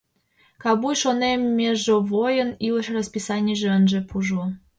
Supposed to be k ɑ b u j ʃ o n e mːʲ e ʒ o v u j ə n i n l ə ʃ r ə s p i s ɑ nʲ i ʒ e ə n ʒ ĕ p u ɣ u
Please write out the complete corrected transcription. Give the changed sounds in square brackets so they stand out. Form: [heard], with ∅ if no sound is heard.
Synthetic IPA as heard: k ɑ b u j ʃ o n e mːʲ e ʒ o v [o] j ə n i [∅] l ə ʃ r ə s p i s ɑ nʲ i ʒ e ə n ʒ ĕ p u [ʒ] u